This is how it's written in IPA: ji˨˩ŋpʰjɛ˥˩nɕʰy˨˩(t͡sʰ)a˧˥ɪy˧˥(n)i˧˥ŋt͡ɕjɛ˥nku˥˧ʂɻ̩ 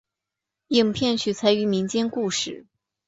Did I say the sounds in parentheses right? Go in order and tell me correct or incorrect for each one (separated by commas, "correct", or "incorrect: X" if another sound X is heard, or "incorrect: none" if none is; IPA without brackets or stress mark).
correct, incorrect: m